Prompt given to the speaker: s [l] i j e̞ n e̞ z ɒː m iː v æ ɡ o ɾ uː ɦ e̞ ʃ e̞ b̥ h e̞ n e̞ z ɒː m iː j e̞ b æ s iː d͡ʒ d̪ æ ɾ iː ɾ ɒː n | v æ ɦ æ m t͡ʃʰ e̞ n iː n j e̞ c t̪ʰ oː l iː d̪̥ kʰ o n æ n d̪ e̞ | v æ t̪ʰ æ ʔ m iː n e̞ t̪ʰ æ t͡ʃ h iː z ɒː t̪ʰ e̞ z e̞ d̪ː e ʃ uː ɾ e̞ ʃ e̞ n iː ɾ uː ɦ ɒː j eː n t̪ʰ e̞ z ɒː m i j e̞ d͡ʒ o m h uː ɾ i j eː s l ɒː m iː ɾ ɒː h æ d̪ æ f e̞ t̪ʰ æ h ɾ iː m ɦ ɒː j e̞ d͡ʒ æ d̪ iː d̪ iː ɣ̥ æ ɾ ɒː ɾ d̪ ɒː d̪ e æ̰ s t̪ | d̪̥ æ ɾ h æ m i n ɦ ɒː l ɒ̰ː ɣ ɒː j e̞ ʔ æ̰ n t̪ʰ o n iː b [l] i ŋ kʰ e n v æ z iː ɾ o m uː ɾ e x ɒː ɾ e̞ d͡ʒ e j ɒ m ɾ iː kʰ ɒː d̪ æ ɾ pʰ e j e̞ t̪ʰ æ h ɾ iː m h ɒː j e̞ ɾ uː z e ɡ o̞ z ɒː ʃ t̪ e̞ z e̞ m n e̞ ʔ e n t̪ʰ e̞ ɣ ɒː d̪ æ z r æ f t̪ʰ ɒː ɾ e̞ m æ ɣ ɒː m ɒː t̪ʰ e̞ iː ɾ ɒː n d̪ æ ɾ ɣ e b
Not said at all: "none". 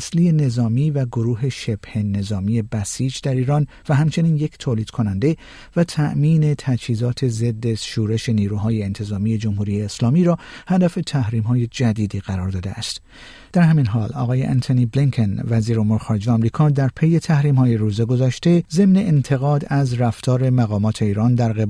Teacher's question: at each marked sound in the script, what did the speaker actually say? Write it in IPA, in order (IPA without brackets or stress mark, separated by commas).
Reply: l, l